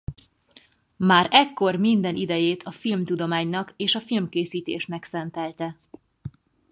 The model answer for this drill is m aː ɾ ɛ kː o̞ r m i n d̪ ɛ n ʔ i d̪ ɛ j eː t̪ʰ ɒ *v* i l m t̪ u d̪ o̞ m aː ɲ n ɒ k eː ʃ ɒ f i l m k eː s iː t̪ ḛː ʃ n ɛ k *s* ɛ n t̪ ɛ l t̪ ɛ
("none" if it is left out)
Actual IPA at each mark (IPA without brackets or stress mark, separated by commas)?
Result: f, s